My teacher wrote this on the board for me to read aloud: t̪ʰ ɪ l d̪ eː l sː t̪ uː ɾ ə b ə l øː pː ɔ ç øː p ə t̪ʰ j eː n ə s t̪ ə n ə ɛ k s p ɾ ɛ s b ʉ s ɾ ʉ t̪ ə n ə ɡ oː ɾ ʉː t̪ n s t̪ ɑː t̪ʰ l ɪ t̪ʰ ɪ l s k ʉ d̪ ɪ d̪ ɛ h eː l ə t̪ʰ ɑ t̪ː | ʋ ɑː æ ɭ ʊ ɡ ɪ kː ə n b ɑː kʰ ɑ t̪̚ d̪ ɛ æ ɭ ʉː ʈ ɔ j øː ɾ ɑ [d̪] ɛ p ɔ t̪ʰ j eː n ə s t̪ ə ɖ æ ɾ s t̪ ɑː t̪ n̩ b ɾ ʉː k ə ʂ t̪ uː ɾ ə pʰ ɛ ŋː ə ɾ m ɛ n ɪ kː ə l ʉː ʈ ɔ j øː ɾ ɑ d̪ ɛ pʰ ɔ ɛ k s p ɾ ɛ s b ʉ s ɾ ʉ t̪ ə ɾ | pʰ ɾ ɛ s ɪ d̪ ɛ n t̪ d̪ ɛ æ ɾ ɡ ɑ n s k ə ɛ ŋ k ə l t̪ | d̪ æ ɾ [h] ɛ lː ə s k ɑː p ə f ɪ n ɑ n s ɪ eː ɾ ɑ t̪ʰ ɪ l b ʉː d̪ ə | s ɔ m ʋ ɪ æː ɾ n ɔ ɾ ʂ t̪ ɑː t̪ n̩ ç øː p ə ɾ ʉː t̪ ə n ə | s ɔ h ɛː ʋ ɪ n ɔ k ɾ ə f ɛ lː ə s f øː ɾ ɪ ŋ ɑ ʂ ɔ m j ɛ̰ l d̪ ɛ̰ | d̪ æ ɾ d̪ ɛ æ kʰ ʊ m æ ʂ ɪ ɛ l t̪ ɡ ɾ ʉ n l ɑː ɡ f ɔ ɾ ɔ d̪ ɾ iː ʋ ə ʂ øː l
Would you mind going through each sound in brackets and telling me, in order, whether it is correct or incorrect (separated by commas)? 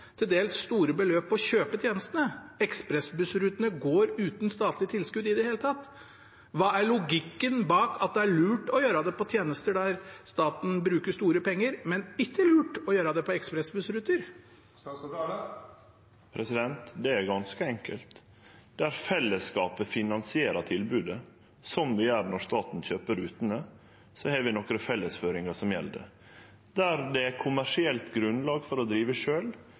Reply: correct, incorrect